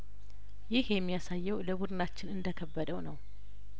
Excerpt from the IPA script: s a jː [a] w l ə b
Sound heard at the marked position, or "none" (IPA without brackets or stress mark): ɛ